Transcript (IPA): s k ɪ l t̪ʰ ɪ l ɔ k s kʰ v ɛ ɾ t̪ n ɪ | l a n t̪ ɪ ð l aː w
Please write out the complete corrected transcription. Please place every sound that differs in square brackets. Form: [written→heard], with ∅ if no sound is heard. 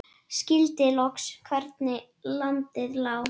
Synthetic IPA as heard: s [k→c] ɪ l [t̪ʰ→t̪] ɪ l ɔ k s kʰ v ɛ ɾ t̪ n ɪ | l a n t̪ ɪ ð l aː w